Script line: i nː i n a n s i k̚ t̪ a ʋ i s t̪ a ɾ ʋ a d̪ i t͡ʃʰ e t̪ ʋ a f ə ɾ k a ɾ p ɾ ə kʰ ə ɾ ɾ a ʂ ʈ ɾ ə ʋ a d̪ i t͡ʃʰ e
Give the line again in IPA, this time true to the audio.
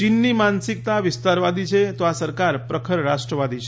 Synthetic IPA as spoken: i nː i m a n s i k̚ t̪ a ʋ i s t̪ a ɾ ʋ a d̪ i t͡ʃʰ e t̪ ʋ a s ə ɾ k a ɾ p ɾ ə kʰ ə ɾ ɾ a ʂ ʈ ɾ ə ʋ a d̪ i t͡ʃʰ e